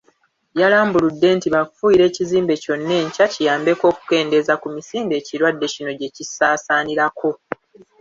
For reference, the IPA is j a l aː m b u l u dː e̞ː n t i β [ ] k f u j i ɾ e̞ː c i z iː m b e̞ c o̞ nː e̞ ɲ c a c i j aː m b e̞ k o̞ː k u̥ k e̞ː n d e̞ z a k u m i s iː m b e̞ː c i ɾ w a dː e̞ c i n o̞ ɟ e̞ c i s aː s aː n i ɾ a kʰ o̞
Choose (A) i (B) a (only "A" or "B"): B